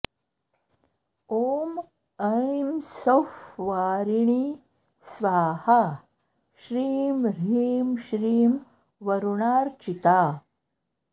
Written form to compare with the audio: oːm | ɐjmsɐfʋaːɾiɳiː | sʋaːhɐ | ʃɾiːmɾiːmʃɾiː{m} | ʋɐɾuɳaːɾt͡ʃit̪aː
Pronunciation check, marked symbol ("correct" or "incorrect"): correct